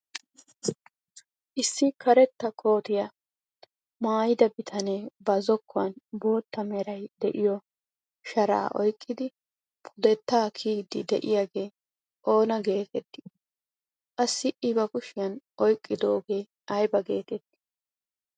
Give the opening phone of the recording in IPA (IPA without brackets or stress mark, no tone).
ʔ